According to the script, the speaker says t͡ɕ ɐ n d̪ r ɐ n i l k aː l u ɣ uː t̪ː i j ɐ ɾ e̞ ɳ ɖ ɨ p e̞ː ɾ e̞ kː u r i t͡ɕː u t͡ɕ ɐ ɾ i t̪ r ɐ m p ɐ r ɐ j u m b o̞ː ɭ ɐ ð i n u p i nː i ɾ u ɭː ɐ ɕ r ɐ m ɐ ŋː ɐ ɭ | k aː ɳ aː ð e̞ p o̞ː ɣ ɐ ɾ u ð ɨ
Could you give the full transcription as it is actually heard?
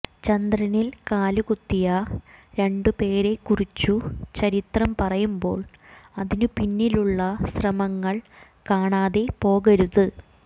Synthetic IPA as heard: t͡ɕ ɐ n d̪ r ɐ n i l k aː l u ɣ u t̪ː i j ɐ ɾ e̞ ɳ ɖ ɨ p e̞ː ɾ e̞ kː u r i t͡ɕː u t͡ɕ ɐ ɾ i t̪ r ɐ m p ɐ r ɐ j u m b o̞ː ɭ ɐ ð i n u p i nː i l u ɭː ɐ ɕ r ɐ m ɐ ŋː ɐ ɭ | k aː ɳ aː ð e̞ p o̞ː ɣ ɐ ɾ u ð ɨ